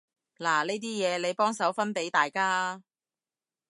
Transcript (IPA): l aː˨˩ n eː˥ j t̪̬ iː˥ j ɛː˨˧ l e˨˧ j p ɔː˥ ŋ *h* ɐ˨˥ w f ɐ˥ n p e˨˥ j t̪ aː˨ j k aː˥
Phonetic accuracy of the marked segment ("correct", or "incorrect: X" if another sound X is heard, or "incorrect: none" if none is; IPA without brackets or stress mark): incorrect: s